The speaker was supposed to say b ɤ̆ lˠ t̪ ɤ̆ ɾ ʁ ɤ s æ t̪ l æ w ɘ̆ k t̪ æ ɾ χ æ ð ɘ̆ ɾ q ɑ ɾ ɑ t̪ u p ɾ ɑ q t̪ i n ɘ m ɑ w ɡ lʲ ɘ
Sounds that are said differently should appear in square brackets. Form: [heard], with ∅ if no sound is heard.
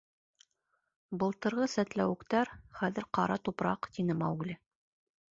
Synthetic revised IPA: b ɤ̆ lˠ t̪ ɤ̆ ɾ ʁ ɤ s æ t̪ l æ w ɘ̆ k t̪ æ ɾ χ æ ð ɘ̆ ɾ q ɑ ɾ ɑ t̪ u p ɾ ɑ q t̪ i n ɘ m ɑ w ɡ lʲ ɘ